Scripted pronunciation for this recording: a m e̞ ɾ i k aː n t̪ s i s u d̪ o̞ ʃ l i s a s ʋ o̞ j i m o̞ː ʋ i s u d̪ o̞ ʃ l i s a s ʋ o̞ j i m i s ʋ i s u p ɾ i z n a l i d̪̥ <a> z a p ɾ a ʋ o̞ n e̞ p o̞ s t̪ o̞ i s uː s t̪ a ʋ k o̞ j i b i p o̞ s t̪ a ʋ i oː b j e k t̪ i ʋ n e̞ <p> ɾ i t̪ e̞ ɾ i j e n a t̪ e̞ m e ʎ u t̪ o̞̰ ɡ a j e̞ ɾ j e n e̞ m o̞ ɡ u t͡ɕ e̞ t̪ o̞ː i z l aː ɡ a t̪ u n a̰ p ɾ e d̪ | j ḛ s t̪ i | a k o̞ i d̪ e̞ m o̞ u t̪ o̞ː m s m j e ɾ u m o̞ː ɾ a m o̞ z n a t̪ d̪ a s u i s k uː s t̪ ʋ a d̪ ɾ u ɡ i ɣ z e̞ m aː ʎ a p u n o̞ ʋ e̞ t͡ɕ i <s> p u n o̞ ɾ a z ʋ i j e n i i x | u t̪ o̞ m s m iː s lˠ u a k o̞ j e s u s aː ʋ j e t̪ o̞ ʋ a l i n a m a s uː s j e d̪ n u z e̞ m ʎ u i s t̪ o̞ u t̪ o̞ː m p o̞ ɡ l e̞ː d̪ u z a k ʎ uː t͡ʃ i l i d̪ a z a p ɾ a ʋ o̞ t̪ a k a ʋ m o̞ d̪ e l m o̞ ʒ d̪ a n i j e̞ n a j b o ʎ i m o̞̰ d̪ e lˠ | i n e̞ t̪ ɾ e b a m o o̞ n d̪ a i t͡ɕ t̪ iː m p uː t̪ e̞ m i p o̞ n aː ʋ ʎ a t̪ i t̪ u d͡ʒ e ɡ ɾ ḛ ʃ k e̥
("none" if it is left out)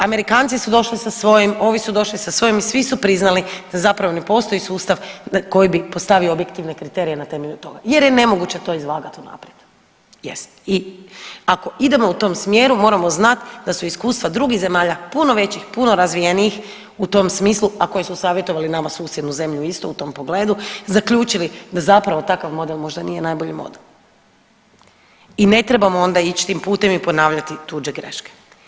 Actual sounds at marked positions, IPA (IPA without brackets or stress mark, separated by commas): a, k, x